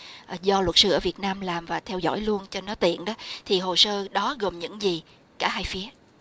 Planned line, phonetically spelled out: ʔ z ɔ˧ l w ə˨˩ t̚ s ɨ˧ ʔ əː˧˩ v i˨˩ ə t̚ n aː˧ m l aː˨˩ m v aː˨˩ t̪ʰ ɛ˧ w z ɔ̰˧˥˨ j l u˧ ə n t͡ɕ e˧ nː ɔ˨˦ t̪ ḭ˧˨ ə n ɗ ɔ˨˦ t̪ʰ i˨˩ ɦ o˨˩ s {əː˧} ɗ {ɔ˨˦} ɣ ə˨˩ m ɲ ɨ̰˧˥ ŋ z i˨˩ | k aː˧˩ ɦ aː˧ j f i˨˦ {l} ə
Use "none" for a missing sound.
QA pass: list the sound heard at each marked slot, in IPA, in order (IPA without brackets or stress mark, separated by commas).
əː˧, ɔ˨˦, none